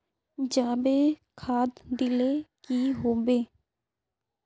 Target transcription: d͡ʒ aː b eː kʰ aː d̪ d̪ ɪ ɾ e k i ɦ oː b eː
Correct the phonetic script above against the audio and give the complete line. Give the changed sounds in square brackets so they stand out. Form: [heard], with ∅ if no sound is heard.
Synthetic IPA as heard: d͡ʒ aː b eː kʰ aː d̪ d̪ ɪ [l] e k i ɦ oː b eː